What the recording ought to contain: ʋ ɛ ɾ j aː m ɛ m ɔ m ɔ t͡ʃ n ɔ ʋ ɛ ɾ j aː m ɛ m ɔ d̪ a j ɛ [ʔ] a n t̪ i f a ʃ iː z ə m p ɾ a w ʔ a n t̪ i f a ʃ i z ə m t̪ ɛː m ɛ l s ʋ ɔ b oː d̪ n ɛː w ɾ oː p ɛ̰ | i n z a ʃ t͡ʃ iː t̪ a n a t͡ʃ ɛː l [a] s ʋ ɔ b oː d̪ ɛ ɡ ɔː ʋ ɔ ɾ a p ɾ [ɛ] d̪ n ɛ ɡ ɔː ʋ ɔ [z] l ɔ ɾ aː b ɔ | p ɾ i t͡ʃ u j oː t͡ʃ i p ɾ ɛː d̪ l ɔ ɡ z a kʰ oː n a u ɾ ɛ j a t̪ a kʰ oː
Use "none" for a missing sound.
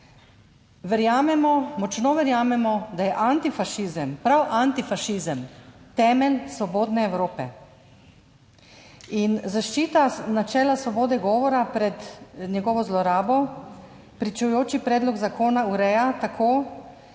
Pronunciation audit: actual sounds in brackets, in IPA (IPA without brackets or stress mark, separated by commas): ʔ, a, ɛ, z